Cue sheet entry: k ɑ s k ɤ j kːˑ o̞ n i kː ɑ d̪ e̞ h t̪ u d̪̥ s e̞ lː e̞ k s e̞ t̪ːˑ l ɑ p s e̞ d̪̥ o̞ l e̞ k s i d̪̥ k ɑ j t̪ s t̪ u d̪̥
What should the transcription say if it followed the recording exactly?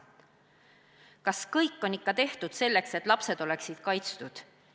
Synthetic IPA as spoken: k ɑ s k ɤ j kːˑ o̞ n i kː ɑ t̪ e̞ h t̪ u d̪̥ s e̞ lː e̞ k s e̞ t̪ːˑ l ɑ p s e̞ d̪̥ o̞ l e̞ k s i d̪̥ k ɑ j t̪ s t̪ u d̪̥